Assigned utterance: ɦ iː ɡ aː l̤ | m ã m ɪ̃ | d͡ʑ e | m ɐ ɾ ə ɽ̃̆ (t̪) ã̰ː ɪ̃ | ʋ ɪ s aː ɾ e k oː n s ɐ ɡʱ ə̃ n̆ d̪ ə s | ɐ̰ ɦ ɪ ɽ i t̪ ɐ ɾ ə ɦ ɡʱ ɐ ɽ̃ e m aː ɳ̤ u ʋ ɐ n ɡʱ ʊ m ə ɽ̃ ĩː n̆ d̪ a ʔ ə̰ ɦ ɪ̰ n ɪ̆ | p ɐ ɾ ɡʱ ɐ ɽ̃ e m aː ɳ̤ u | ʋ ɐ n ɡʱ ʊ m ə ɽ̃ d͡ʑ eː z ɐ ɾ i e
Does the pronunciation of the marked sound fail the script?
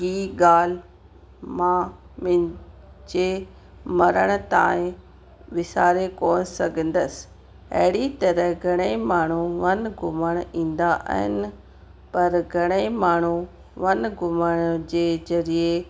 no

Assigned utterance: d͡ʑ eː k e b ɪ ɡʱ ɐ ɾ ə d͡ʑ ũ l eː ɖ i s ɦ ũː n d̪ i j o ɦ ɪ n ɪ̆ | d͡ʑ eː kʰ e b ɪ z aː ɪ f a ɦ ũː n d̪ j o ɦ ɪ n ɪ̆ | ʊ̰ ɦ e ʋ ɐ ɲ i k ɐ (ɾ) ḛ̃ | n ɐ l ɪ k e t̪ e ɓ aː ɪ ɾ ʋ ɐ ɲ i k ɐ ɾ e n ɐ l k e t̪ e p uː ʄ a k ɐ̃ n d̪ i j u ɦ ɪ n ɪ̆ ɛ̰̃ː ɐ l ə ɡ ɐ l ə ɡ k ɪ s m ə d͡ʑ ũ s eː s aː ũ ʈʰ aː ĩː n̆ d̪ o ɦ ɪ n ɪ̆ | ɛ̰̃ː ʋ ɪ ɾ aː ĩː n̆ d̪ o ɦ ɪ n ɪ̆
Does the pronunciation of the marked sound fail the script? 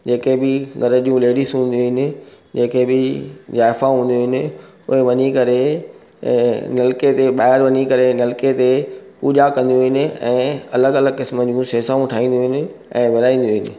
no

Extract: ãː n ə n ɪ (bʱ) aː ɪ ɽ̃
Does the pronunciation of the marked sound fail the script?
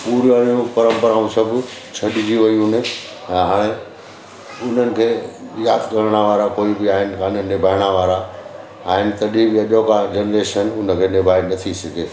no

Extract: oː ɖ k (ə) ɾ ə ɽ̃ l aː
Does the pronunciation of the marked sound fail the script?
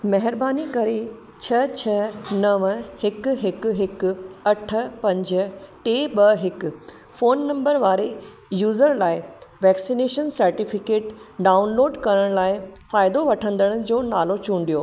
yes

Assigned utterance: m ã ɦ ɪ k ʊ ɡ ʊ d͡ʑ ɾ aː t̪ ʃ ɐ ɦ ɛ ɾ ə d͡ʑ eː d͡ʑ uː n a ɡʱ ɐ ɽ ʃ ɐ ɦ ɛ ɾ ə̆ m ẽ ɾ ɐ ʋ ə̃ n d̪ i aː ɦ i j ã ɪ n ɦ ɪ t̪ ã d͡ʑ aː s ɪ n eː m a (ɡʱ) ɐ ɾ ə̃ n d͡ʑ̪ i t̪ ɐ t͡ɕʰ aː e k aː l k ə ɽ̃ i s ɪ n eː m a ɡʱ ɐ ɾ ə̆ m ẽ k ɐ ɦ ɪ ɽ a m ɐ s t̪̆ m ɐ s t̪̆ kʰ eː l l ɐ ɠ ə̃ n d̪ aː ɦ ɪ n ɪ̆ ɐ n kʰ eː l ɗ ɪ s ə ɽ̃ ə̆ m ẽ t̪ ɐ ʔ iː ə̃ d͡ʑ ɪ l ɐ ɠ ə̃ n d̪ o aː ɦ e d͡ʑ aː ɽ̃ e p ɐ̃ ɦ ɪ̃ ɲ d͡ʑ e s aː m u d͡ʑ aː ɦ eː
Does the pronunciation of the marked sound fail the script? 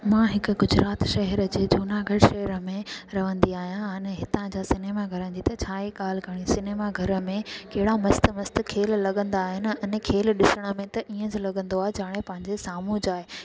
no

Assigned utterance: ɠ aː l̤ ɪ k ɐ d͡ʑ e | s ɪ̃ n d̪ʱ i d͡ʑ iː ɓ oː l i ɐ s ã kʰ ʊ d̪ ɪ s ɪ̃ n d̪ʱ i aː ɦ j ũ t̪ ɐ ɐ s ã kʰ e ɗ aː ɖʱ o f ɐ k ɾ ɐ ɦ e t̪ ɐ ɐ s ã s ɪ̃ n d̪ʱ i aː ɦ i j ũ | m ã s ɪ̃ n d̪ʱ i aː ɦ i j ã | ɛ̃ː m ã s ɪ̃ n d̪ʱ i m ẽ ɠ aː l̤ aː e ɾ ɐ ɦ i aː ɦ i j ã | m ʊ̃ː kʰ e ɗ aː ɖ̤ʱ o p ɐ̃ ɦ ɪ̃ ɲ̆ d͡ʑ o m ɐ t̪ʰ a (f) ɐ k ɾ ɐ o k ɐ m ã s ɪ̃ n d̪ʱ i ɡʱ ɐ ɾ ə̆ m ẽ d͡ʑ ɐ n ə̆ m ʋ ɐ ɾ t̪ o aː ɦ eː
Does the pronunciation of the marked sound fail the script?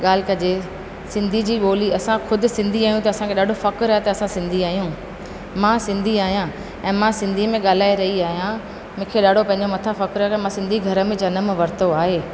no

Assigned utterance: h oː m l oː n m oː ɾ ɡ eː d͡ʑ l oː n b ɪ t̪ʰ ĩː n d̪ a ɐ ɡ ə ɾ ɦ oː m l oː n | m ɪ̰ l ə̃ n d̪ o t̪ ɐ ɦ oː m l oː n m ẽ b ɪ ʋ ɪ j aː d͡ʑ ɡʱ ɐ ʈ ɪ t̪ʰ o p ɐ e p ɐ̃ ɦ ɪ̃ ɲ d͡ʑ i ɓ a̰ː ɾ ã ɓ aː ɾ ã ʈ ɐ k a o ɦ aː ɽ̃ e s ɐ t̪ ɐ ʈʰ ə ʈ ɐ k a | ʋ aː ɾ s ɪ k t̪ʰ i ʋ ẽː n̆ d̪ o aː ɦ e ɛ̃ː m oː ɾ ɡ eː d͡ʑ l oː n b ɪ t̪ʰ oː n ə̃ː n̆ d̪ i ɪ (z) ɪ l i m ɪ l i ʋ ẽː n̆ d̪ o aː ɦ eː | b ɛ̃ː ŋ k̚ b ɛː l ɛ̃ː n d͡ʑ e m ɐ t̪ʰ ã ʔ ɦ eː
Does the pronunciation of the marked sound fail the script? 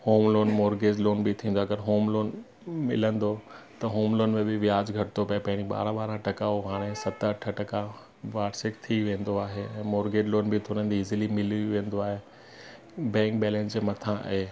no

